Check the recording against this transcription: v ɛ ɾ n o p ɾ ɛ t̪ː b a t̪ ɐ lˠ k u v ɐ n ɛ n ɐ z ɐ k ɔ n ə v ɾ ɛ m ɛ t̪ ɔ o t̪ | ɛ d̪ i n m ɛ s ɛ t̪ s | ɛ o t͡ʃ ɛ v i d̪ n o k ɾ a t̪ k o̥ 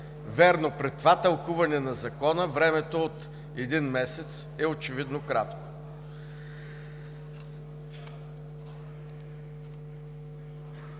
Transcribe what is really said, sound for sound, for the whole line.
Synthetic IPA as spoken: v ɛ ɾ n o p ɾ ɛ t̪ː v a t̪ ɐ lˠ k u v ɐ n ɛ n ɐ z ɐ k ɔ n ə v ɾ ɛ m ɛ t̪ o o t̪ | ɛ d̪ i n m ɛ s ɛ t̪ s | ɛ o t͡ʃ ɛ v i d̪ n o k ɾ a t̪ k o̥